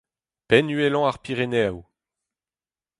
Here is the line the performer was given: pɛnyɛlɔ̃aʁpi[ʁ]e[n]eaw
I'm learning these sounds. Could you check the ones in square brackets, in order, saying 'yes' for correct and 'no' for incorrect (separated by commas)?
yes, yes